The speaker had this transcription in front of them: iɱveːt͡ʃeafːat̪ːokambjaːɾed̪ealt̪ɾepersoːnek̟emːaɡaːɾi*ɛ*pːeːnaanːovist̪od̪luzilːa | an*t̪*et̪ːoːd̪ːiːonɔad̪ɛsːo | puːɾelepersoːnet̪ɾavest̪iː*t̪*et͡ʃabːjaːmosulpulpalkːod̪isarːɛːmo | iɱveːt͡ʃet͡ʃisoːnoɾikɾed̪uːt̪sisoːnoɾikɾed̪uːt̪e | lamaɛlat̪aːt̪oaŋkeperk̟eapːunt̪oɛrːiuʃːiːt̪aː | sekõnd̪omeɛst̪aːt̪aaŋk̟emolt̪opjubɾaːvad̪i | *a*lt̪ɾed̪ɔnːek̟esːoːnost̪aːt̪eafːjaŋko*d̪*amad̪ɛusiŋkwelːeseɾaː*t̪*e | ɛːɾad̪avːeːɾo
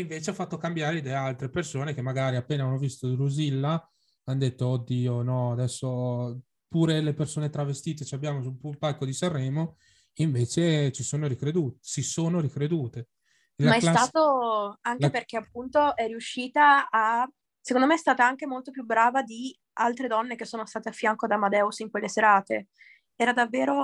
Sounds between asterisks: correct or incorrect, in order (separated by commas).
incorrect, incorrect, correct, correct, correct, correct